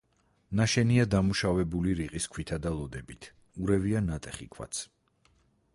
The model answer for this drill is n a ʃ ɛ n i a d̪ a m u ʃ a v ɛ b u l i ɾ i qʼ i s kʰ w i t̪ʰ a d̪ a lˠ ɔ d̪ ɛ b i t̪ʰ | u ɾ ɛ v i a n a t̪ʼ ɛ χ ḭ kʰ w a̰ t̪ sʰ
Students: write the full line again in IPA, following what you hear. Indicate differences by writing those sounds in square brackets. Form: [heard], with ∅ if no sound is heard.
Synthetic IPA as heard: n a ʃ ɛ n i a d̪ a m u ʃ a v ɛ b u l i ɾ i qʼ i s kʰ w i t̪ʰ a d̪ a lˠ ɔ d̪ ɛ b i t̪ʰ | u ɾ ɛ v i a n a t̪ʼ ɛ χ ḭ kʰ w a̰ t̪ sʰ